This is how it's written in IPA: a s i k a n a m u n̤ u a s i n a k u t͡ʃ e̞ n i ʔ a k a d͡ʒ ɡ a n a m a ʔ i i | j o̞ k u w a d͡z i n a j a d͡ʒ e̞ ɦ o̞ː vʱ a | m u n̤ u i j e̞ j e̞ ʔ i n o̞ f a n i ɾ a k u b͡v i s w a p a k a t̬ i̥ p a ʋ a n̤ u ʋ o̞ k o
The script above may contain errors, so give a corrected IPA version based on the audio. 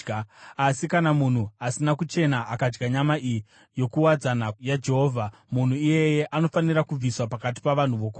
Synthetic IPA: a s i k a n a m u n̤ u a s i n a k u t͡ʃ e̞ n a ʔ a k a d͡ʒ ɡ a ɲ a m a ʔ i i | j o̞ k u w a d͡z a n a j a d͡ʒ e̞ ɦ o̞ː vʱ a | m u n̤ u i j e̞ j e̞ ʔ a n o̞ f a n i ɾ a k u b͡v i s w a p a k a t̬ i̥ p a ʋ a n̤ u ʋ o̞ k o